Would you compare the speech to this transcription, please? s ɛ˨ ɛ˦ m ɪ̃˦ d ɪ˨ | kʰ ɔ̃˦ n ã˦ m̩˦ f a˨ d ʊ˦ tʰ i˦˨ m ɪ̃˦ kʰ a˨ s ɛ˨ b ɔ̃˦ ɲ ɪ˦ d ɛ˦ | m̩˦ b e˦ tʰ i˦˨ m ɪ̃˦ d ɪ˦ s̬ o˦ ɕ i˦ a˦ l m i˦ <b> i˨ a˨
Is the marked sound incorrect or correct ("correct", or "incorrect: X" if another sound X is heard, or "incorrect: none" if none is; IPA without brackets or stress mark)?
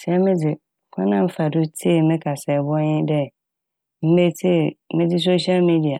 incorrect: d